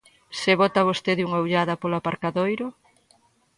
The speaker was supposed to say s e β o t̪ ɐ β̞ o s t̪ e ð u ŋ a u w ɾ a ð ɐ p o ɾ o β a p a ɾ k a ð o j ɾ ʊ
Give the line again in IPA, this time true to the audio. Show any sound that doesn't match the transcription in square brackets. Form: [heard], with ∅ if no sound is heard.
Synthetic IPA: s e β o t̪ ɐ β̞ o s t̪ e ð u ŋ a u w [ʎ] a ð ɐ p o [l] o [∅] a p a ɾ k a ð o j ɾ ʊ